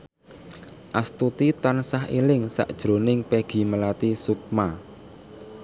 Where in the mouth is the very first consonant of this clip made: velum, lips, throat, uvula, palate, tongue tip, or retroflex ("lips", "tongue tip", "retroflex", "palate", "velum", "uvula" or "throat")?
throat